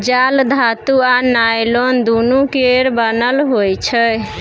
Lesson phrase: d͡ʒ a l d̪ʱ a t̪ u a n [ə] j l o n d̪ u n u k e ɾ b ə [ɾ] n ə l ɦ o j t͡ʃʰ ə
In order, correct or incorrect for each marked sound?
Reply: incorrect, incorrect

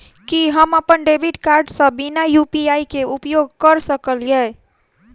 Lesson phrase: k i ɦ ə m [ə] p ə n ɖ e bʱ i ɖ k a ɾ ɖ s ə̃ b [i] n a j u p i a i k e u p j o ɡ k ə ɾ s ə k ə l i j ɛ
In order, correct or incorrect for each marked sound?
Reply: correct, correct

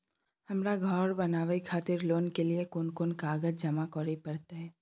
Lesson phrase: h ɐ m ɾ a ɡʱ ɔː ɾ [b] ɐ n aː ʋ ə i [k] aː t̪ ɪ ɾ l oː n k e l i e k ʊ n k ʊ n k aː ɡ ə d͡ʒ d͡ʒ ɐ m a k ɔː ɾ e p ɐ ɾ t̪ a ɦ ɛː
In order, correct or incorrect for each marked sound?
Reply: correct, incorrect

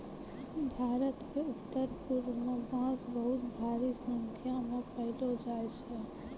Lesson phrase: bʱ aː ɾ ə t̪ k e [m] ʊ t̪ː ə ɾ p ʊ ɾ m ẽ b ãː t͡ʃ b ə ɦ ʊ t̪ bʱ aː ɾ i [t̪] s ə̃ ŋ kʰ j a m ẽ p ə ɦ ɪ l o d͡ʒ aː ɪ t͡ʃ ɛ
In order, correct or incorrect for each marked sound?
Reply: incorrect, incorrect

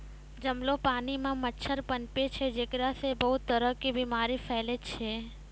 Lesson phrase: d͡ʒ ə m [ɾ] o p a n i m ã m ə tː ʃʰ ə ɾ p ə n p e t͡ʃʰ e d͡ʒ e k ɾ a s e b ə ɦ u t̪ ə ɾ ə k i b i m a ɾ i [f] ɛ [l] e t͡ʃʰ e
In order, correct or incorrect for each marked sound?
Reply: incorrect, correct, correct

